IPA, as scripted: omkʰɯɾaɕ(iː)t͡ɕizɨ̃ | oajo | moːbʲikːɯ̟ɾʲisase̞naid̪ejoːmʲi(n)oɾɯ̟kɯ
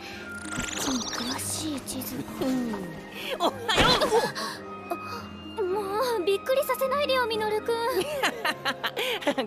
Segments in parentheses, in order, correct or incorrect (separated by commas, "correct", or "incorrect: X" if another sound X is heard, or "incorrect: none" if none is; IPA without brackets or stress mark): correct, correct